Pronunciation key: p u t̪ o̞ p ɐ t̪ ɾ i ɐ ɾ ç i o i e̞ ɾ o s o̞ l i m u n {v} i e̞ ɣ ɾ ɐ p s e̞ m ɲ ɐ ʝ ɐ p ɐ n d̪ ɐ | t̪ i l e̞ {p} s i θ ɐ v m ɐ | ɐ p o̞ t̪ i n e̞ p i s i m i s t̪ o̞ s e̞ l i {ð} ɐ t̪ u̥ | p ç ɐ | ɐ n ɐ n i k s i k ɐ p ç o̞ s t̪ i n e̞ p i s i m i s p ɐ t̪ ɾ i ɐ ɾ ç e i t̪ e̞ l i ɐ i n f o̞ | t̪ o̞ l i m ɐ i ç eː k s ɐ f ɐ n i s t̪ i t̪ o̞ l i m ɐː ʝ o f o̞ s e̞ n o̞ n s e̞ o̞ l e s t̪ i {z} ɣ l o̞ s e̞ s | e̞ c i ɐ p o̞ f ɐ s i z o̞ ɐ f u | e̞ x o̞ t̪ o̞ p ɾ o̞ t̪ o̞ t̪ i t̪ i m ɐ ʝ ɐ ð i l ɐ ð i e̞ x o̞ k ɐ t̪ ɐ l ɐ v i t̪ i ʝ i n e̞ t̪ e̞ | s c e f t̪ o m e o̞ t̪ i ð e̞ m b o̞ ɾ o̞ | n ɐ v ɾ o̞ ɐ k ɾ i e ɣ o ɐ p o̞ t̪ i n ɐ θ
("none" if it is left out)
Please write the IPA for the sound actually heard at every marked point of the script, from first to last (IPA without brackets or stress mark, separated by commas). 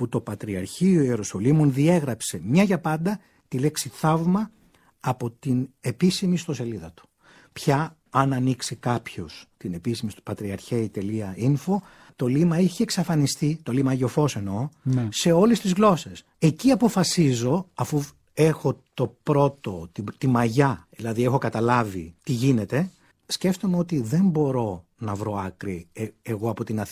ð, k, ð, z